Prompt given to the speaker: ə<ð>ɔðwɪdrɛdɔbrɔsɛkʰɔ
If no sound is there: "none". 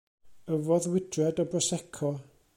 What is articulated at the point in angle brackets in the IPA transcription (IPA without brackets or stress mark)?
v